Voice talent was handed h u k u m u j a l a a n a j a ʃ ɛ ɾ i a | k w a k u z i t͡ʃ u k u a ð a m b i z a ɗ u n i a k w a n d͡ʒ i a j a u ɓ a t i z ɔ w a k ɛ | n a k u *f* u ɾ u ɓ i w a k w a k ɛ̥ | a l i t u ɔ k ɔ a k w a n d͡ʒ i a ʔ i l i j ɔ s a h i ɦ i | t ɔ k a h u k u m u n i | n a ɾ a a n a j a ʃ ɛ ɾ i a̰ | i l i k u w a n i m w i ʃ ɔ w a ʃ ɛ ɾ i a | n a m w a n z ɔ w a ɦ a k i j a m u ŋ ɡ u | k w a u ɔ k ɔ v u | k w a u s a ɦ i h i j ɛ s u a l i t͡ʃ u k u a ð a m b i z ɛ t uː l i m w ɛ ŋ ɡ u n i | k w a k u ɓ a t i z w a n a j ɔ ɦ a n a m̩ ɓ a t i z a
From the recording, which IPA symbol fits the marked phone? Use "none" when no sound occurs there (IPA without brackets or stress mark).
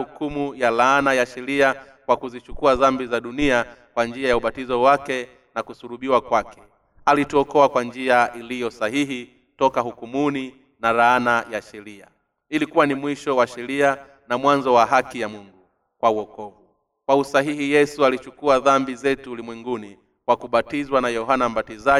s